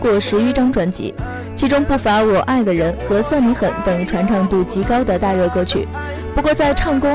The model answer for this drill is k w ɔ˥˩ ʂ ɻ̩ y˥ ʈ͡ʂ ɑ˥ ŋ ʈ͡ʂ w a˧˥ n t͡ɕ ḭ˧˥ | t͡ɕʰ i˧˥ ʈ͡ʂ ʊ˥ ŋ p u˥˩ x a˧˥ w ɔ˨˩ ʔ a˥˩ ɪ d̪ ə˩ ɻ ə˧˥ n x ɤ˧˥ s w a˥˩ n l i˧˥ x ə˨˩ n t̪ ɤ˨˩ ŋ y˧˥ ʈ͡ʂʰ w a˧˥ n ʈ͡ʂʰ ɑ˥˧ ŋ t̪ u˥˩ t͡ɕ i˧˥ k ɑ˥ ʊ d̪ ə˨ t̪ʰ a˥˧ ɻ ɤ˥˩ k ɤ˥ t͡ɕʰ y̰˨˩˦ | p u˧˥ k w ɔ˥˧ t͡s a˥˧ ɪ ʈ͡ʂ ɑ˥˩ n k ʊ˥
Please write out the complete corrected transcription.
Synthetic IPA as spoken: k w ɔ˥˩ ʂ ɻ̩ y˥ ʈ͡ʂ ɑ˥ ŋ ʈ͡ʂ w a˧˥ n t͡ɕ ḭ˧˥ | t͡ɕʰ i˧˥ ʈ͡ʂ ʊ˥ ŋ p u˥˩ f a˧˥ w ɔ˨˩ ʔ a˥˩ ɪ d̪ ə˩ ɻ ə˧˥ n x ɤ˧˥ s w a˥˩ n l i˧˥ x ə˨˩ n t̪ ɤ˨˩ ŋ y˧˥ ʈ͡ʂʰ w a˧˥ n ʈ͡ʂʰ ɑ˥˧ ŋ t̪ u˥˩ t͡ɕ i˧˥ k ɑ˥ ʊ d̪ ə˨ t̪ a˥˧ ɻ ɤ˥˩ k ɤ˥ t͡ɕʰ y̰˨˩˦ | p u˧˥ k w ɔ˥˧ t͡s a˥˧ ɪ ʈ͡ʂʰ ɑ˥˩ ŋ k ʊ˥